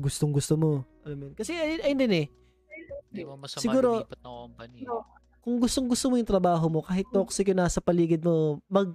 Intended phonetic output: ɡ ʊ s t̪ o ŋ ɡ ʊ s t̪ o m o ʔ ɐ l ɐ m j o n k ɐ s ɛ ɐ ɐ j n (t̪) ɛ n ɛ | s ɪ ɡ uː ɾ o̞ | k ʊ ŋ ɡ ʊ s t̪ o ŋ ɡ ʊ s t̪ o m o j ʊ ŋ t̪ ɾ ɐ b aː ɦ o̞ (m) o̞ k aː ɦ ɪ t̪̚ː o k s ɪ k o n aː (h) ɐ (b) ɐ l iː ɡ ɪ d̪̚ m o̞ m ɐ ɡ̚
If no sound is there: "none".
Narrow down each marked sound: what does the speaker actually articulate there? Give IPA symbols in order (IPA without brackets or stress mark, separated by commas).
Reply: d̪, m, s, p